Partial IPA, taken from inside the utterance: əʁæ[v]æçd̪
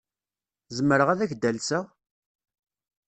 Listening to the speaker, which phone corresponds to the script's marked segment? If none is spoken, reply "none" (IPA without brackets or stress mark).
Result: ð